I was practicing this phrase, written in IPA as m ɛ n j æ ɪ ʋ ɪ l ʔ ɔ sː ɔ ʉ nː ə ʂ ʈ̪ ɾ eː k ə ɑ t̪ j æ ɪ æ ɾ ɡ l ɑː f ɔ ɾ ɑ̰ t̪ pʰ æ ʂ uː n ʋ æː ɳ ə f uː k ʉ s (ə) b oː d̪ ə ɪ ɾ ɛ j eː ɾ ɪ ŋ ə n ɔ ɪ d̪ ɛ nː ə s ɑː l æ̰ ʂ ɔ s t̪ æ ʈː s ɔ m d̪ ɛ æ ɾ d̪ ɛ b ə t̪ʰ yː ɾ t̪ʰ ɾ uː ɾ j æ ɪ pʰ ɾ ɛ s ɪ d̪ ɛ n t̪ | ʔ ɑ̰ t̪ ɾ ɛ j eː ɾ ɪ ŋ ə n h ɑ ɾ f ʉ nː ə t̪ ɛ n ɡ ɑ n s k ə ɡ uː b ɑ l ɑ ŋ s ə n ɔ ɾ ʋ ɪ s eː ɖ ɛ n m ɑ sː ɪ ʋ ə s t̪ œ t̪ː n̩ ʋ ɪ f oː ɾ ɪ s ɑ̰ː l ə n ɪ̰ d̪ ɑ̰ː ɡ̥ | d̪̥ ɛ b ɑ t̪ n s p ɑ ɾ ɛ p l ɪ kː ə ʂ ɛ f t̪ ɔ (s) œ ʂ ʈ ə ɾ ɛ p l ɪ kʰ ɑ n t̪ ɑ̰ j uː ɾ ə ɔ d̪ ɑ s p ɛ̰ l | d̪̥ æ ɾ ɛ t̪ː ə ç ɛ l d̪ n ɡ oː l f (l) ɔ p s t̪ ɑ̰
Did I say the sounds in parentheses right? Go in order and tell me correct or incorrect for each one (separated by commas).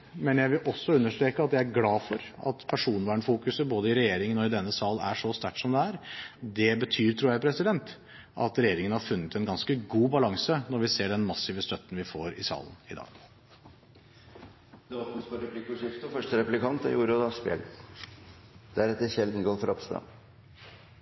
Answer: correct, incorrect, incorrect